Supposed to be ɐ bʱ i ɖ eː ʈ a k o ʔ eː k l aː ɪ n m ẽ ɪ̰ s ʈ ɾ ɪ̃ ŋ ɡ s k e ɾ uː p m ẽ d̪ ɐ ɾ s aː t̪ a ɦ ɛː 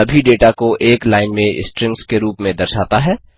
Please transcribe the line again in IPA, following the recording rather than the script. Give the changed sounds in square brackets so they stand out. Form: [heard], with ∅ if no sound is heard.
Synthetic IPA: ɐ bʱ i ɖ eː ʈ a k o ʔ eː k l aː ɪ n m ẽ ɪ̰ s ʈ ɾ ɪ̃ ŋ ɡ s k e ɾ uː p m ẽ d̪ ɐ ɾ [ʃ] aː t̪ a ɦ ɛː